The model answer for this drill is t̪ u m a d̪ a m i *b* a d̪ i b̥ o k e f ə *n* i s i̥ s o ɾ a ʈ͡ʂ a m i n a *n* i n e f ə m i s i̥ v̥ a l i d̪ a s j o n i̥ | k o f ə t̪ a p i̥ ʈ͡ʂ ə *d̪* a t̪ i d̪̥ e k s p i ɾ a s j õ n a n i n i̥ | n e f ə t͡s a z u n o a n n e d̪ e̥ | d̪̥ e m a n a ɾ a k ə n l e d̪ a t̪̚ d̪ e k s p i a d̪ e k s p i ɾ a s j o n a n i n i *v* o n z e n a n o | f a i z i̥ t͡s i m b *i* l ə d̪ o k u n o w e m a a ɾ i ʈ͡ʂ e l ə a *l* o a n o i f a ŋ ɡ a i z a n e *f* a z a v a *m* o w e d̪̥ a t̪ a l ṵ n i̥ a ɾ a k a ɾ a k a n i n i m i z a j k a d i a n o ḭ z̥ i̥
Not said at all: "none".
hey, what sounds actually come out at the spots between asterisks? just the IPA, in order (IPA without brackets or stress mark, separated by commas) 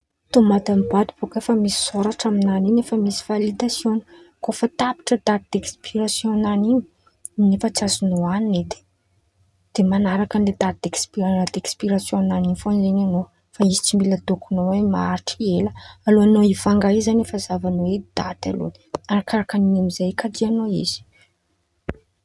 b, m, n, d̪, f, i, l, f, n